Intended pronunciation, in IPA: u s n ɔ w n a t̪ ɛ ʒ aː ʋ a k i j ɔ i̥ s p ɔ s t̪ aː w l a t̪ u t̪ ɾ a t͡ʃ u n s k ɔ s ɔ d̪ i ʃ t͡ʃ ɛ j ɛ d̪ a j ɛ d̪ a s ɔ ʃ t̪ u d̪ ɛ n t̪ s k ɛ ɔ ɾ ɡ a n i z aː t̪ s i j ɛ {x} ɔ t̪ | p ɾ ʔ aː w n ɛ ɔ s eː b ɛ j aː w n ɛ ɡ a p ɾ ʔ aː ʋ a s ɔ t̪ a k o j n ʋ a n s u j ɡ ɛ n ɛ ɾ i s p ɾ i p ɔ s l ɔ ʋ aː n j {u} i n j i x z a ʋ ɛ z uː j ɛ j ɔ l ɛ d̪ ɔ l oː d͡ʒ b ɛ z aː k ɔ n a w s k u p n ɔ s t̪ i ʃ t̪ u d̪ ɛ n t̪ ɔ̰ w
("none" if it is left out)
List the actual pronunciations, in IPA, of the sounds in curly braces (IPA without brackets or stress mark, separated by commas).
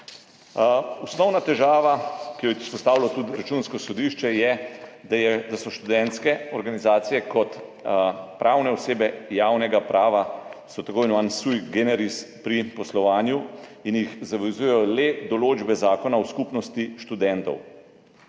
k, u